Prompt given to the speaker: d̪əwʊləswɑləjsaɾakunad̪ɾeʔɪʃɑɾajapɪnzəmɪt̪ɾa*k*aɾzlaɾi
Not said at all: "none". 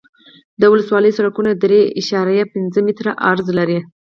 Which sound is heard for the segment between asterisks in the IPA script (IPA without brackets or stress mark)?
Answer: ʔ